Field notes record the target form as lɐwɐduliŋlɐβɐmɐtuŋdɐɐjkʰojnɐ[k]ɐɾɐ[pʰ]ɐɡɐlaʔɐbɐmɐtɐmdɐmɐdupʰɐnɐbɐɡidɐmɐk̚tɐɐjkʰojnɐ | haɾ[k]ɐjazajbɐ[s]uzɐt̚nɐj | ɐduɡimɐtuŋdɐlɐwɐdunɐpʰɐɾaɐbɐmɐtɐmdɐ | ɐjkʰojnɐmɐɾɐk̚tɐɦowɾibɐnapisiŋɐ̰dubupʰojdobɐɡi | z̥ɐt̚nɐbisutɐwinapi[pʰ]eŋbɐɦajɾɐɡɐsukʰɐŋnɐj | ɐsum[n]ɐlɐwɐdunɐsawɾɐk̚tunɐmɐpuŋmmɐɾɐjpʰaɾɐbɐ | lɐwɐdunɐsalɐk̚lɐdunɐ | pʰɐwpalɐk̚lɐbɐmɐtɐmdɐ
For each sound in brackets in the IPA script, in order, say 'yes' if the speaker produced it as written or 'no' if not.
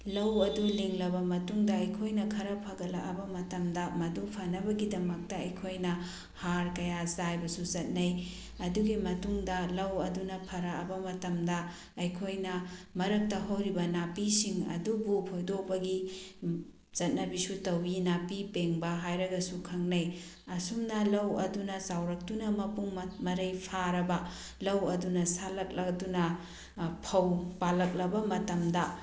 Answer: no, yes, yes, yes, no, yes

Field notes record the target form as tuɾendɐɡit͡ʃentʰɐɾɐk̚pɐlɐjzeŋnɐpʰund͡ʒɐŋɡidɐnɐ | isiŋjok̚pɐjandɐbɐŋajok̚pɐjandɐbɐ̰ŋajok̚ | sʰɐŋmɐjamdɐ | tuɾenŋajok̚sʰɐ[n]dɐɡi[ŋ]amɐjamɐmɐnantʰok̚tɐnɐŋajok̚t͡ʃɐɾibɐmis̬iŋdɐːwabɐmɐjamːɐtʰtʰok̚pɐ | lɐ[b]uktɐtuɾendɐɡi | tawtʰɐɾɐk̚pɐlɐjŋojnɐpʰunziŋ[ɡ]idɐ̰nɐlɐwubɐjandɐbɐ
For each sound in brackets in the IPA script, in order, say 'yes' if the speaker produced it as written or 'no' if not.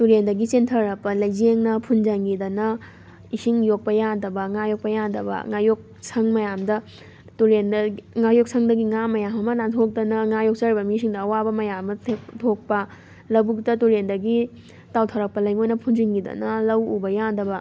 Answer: no, yes, yes, yes

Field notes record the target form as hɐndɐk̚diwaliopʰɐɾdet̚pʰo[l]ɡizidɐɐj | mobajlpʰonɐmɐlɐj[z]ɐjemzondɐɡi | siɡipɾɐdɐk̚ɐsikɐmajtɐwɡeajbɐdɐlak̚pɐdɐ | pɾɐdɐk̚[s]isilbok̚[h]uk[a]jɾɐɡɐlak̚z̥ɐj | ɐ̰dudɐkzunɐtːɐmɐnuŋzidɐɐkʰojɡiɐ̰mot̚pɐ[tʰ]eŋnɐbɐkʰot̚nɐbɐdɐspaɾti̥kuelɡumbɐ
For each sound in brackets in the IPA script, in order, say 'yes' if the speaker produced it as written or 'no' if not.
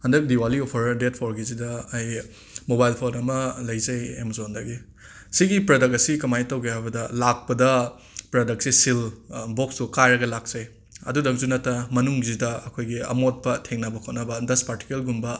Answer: no, yes, yes, no, yes, yes

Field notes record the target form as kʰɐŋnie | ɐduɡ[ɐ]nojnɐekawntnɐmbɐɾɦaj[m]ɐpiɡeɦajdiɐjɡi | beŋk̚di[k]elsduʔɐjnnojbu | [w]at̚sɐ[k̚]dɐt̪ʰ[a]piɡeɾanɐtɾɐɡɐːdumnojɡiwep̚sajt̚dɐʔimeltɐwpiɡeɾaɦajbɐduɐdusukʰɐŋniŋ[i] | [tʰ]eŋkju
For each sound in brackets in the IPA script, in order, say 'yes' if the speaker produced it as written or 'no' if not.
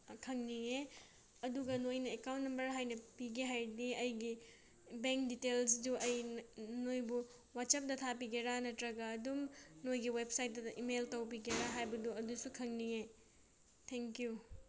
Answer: yes, no, no, yes, no, yes, no, yes

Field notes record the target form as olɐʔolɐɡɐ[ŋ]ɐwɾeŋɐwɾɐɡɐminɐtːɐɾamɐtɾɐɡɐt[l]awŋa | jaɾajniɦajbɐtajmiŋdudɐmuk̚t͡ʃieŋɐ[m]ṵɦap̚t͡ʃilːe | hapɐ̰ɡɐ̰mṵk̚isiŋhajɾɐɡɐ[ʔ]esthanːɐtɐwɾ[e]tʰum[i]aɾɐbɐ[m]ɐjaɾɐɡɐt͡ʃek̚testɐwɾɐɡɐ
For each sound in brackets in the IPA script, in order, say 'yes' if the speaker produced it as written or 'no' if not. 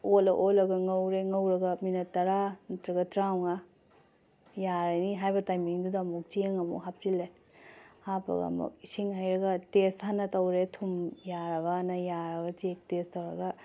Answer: yes, no, yes, no, yes, no, no

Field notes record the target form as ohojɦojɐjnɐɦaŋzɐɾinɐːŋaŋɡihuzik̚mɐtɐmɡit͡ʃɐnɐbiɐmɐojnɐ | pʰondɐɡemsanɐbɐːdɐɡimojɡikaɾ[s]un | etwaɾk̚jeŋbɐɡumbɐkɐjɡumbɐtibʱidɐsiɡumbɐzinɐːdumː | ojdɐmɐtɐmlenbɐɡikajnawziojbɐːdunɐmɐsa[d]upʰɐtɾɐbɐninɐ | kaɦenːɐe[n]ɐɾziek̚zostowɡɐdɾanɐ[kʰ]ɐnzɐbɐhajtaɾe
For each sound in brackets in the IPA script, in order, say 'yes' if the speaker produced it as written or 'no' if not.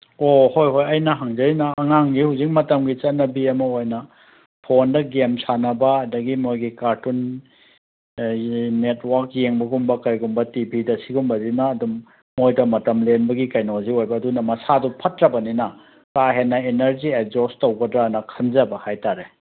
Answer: no, yes, yes, yes

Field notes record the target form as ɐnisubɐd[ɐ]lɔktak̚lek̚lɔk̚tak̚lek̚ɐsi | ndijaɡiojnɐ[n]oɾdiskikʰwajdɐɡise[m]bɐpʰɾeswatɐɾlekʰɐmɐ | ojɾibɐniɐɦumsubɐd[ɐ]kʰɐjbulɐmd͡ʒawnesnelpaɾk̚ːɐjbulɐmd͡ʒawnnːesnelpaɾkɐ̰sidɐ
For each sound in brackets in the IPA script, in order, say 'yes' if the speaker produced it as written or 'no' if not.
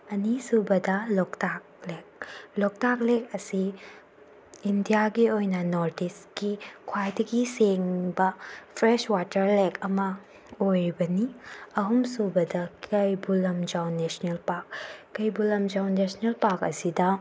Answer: yes, yes, no, yes

